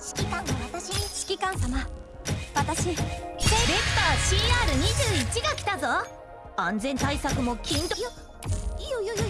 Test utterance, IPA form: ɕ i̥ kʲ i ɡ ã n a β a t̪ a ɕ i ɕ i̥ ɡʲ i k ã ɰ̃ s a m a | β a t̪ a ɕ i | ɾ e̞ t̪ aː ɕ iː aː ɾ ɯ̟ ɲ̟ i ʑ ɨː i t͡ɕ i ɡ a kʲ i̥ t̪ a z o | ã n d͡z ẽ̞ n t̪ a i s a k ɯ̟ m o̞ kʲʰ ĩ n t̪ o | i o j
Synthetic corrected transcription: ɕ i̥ kʲ i k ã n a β a t̪ a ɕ i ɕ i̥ kʲ i k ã ɰ̃ s a m a | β a t̪ a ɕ i | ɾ e̞ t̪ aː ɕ iː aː ɾ ɯ̟ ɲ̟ i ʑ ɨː i t͡ɕ i ɡ a kʲ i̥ t̪ a z o | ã n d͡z ẽ̞ n t̪ a i s a k ɯ̟ m o̞ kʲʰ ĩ n t̪ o | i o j